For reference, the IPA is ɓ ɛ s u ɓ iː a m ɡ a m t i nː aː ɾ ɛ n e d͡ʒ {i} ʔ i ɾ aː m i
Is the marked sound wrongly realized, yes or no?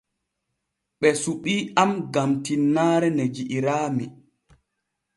no